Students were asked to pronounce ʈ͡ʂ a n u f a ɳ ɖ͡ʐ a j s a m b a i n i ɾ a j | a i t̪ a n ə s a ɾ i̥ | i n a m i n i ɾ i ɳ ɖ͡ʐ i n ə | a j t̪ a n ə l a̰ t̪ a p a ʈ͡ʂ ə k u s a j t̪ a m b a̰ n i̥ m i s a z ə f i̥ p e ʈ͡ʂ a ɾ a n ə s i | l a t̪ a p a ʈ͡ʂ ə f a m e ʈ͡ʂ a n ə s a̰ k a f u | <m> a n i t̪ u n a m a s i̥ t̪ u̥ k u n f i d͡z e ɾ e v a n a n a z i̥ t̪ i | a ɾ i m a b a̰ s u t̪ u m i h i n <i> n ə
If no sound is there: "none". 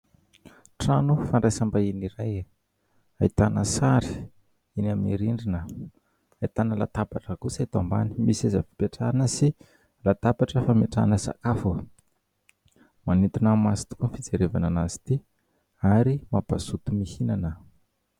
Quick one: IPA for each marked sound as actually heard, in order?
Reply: m, a

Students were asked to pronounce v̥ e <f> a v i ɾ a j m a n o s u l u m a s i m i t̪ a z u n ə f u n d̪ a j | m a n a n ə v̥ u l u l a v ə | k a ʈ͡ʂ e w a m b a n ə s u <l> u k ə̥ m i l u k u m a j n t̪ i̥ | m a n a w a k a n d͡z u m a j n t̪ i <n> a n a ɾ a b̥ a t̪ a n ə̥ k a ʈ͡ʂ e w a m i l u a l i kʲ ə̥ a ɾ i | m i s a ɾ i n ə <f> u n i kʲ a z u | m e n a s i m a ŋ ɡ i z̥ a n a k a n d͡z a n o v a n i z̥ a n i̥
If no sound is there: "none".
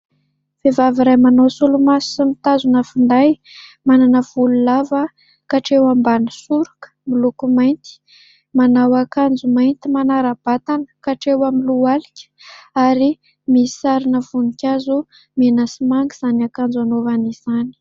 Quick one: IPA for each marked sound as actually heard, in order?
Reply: v, ɾ, m, v

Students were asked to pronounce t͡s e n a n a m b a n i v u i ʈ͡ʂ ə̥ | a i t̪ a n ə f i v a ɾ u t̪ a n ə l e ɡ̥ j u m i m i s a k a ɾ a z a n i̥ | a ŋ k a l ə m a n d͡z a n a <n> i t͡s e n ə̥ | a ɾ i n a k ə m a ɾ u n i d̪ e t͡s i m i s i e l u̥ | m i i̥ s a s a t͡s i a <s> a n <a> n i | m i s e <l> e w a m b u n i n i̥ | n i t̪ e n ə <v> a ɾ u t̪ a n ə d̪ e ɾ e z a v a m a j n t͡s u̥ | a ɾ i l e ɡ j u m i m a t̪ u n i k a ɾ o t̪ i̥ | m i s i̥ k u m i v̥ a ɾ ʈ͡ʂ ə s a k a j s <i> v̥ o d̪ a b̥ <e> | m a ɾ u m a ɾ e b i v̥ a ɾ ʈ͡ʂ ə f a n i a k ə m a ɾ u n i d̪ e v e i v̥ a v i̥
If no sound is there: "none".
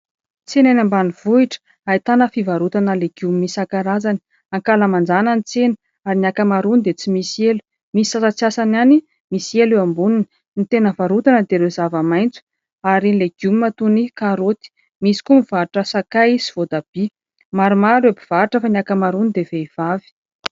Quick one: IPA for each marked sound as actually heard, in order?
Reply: n, s, a, l, v, i, i

